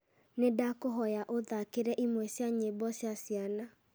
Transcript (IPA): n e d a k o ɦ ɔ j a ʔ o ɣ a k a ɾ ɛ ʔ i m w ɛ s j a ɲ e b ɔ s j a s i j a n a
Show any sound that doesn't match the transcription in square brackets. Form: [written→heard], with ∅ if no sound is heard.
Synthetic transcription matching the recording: n e d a k o ɦ ɔ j a ʔ o [ɣ→ð] a k [a→e] ɾ ɛ ʔ i m w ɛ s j a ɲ e b ɔ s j a s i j a n a